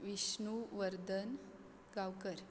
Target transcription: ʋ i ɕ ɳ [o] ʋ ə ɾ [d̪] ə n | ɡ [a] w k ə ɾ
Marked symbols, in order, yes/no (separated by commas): no, yes, yes